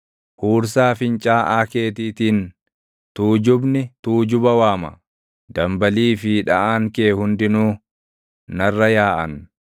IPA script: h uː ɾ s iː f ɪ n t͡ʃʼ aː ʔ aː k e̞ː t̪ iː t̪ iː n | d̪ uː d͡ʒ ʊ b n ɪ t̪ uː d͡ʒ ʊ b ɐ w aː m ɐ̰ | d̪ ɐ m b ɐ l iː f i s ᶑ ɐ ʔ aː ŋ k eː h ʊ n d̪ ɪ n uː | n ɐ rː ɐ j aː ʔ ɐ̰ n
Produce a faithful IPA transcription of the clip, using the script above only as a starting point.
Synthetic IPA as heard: h uː ɾ s aː f ɪ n t͡ʃʼ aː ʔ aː k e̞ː t̪ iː t̪ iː n | t̪ uː d͡ʒ ʊ b n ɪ t̪ uː d͡ʒ ʊ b ɐ w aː m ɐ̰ | d̪ ɐ m b ɐ l iː f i ᶑ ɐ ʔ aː ŋ k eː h ʊ n d̪ ɪ n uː | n ɐ rː ɐ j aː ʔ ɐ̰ n